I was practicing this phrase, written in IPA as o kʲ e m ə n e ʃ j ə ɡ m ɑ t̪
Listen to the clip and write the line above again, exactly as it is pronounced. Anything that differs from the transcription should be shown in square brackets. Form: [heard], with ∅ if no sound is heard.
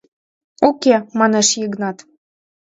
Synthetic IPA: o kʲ e m [ɑ] n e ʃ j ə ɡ [n] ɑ t̪